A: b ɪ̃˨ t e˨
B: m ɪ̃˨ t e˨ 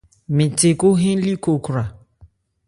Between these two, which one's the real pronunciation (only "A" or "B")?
B